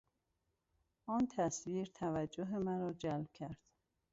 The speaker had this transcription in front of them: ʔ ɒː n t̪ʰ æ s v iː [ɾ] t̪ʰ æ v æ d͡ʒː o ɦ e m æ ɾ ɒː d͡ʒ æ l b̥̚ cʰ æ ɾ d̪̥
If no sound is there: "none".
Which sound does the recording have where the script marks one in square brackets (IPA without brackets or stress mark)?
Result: ɾ